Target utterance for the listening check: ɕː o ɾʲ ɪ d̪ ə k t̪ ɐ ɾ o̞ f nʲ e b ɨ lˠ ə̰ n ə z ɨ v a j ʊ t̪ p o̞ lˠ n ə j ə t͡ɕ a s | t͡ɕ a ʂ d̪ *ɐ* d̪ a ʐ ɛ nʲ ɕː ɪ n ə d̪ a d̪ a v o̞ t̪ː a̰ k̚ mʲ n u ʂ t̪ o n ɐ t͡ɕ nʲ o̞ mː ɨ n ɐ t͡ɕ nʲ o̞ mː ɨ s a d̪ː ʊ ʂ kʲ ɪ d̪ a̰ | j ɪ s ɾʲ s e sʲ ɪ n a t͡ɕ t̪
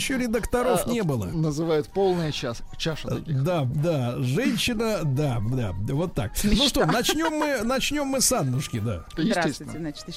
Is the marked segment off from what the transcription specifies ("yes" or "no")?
yes